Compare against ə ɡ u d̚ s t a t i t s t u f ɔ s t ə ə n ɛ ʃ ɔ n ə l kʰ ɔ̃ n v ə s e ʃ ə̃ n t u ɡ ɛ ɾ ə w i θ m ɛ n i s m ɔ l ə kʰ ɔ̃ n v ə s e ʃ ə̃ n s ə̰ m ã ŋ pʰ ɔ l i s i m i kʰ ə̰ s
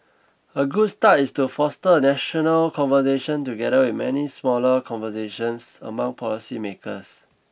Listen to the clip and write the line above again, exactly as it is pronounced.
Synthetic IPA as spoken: ə ɡ u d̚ s t a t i s t u f ɔ s t ə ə n ɛ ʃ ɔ n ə l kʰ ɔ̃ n v ə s e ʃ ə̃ n t u ɡ ɛ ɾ ə w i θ m ɛ n i s m ɔ l ə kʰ ɔ̃ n v ə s e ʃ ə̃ n s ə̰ m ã ŋ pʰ ɔ l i s i m e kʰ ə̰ s

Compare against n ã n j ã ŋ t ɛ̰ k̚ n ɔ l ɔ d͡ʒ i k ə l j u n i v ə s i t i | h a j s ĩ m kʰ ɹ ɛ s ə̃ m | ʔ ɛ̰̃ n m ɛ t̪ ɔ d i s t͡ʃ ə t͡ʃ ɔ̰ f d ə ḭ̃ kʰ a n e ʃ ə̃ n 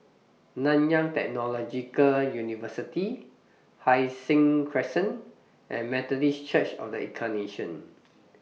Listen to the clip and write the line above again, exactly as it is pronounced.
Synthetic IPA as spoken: n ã n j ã ŋ t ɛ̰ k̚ n ɔ l ɔ d͡ʒ i k ə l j u n i v ə s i t i | h a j s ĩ ŋ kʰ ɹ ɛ s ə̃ n | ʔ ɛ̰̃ n m ɛ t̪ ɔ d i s t͡ʃ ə t͡ʃ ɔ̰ f d ə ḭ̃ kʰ a n e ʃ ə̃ n

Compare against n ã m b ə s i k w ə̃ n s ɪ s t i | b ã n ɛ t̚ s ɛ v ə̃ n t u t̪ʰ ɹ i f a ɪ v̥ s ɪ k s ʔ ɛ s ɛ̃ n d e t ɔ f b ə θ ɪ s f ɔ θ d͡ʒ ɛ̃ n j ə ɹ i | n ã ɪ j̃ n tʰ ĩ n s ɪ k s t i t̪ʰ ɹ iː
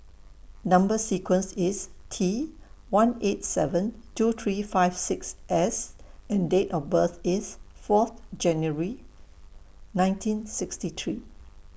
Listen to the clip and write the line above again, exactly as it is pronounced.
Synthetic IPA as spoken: n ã m b ə s i k w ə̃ n s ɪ s tʰ i | w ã n e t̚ s ɛ v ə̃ n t u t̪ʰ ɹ i f a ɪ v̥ s ɪ k s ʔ ɛ s ɛ̃ n d e t ɔ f b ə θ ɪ s f ɔ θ d͡ʒ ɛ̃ n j ə ɹ i | n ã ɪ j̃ n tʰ ĩ n s ɪ k s t i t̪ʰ ɹ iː

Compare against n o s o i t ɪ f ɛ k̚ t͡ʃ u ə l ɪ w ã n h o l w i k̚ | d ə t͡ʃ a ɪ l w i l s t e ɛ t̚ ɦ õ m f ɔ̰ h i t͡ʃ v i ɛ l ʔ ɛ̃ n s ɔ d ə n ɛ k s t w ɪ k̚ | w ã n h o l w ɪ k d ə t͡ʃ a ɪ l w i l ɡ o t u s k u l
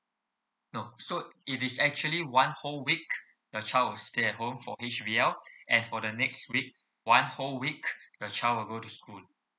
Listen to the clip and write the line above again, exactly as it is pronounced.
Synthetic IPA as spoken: n o s o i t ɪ s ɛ k̚ t͡ʃ u ə l i w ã n h o l w i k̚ | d ə t͡ʃ a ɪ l w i l s t e ɛ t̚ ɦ õ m f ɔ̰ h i t͡ʃ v i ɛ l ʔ ɛ̃ n f ɔ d ə n ɛ k s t w i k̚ | w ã n h o l w i k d ə t͡ʃ a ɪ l w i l ɡ o t u s k u l

